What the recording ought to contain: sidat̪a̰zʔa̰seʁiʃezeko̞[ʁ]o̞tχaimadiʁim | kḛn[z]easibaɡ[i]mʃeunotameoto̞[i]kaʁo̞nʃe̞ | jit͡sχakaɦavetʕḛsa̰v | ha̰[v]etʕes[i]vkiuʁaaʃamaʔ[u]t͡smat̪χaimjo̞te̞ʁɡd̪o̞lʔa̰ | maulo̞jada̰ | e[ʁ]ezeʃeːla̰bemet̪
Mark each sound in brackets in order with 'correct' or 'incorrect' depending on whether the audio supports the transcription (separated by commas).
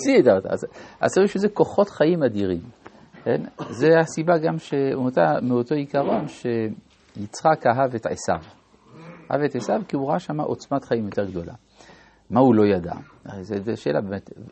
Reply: incorrect, correct, incorrect, correct, correct, incorrect, incorrect, incorrect